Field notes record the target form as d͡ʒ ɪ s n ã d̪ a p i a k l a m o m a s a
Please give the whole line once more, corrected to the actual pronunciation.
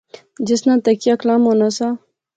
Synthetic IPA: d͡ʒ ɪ s n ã t̪ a k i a k l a m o n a s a